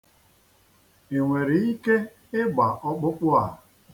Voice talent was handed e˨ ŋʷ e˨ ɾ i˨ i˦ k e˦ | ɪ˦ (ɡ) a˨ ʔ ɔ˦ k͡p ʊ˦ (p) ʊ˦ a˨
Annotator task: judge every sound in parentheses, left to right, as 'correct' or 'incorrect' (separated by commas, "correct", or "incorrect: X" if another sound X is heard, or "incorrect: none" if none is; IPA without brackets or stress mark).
incorrect: ɡ͡b, incorrect: k͡p